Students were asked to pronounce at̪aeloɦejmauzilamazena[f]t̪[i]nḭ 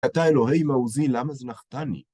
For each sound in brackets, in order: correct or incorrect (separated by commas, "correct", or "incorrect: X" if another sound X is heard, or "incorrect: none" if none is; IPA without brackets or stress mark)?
incorrect: χ, incorrect: a